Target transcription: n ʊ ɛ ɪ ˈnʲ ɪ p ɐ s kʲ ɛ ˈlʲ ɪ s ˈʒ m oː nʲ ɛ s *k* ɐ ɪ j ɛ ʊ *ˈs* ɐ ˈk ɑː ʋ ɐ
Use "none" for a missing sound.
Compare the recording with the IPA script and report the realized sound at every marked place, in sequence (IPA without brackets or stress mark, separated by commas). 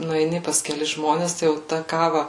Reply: t, t